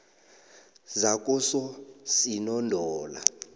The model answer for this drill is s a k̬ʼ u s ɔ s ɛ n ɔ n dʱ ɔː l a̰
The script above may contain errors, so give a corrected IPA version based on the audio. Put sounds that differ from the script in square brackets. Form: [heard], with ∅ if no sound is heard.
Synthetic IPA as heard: [z] a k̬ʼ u s ɔ s [i] n ɔ n dʱ ɔː l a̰